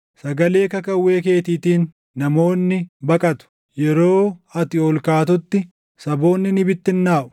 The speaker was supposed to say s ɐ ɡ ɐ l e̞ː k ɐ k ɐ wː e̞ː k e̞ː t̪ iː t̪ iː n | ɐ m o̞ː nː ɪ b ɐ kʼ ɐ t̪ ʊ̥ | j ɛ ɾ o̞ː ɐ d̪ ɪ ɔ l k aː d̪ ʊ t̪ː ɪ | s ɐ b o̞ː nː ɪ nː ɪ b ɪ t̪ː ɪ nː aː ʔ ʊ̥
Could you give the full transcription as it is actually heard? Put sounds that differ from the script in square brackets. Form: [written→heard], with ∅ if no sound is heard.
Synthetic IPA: s ɐ ɡ ɐ l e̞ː k ɐ k ɐ wː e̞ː k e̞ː t̪ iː t̪ iː [n→nː] | ɐ m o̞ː nː ɪ b ɐ kʼ ɐ t̪ ʊ̥ | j ɛ ɾ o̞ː ɐ [d̪→t̪] ɪ ɔ l k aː [d̪→t̪] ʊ t̪ː ɪ | s ɐ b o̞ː nː ɪ [nː→n] ɪ b ɪ t̪ː ɪ nː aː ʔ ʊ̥